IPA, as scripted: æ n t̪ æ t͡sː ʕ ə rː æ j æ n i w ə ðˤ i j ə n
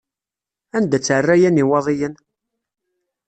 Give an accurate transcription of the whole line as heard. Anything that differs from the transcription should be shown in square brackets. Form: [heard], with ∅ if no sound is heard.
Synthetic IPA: æ n [d̪] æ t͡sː ʕ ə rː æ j æ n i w [ɑ] ðˤ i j ə n